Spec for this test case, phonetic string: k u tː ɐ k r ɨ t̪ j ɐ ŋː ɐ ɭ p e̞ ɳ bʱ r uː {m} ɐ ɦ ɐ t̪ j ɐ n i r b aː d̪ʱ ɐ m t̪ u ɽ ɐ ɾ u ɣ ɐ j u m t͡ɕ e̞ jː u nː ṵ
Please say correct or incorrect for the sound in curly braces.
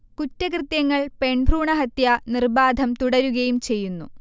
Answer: incorrect